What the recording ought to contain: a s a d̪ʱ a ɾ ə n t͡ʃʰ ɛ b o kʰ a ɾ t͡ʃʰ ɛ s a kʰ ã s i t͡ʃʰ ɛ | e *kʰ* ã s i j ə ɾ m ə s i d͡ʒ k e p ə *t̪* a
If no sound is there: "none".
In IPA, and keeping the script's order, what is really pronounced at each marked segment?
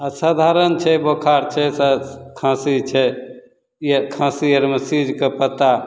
kʰ, t̪

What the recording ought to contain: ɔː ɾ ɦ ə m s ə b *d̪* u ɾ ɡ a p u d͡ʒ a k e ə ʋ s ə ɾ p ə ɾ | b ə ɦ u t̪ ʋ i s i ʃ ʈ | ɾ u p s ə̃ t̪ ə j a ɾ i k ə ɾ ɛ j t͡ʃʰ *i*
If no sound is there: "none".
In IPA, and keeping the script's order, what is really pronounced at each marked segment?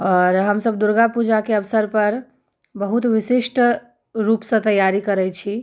d̪, i

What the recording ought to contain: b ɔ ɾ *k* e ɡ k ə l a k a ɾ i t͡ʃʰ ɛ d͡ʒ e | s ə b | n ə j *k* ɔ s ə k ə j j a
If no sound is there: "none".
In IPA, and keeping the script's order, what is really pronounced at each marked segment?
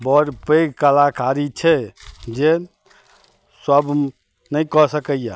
p, k

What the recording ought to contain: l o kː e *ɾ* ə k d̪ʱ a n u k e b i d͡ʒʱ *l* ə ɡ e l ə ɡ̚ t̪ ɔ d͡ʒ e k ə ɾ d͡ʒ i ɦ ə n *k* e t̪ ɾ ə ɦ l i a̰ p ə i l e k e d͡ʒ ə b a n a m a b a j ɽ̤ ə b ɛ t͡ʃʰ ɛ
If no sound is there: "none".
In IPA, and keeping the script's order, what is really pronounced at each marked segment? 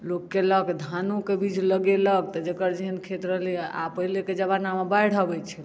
l, l, kʰ

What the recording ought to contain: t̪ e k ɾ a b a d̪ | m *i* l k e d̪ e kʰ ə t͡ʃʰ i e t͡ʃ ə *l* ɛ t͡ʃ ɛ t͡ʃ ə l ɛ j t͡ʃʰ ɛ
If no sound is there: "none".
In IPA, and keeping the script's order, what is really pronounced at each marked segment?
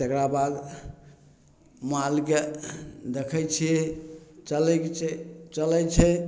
a, l

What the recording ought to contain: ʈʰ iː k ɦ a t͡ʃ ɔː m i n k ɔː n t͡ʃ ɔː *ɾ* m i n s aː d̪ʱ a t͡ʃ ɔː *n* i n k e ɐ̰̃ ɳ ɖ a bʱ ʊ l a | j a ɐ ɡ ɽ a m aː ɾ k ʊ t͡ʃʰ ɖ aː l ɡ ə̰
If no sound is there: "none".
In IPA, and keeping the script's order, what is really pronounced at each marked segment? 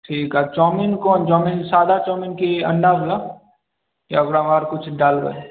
none, m

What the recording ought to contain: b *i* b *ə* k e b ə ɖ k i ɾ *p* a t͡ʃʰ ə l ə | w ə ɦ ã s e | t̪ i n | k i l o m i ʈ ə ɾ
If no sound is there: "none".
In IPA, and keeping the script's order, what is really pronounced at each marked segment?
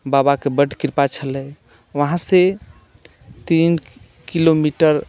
a, a, p

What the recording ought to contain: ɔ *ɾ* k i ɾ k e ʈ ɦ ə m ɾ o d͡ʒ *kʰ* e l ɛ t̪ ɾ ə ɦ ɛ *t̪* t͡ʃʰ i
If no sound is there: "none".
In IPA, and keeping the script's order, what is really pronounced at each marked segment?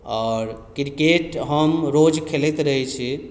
ɾ, kʰ, none

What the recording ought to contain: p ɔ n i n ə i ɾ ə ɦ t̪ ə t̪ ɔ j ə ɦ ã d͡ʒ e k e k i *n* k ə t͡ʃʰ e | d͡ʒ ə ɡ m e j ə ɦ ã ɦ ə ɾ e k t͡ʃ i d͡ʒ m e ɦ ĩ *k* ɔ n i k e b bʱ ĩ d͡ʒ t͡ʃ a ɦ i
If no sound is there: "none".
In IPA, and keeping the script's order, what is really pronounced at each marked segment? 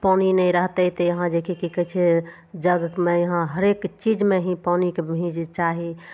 none, p

